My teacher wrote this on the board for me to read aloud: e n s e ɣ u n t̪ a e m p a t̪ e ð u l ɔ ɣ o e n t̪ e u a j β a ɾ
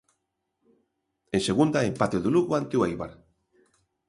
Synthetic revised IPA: e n s e ɣ u n d̪ a e m p a t̪ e ð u l u ɣ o a n t̪ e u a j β a ɾ